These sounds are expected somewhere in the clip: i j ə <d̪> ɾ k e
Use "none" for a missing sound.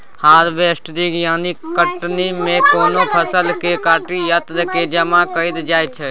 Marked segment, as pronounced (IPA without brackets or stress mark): t̪